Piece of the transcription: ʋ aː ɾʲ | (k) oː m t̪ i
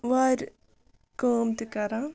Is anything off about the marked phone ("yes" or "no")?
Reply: no